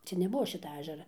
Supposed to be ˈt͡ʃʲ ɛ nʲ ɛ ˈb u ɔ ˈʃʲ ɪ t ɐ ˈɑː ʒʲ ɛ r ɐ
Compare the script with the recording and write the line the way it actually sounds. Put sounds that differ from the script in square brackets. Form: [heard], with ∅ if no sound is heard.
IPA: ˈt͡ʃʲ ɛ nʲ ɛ ˈb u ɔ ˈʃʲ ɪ t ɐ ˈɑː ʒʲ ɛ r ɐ